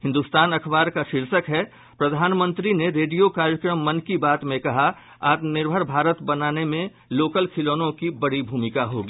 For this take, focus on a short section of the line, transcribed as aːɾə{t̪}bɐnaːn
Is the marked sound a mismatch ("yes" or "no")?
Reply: no